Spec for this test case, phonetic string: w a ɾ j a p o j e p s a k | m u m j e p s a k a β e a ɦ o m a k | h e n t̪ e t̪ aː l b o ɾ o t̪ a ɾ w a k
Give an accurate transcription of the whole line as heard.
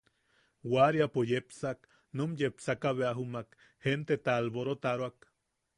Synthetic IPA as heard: w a ɾ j a p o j e p s a k | n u m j e p s a k a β e a ɦ u m a k | h e n t̪ e t̪ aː l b o ɾ o t̪ a ɾ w a k